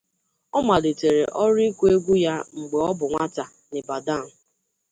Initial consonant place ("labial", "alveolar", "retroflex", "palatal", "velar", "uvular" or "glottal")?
labial